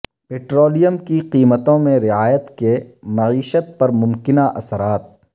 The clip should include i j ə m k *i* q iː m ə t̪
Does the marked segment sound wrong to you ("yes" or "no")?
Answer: no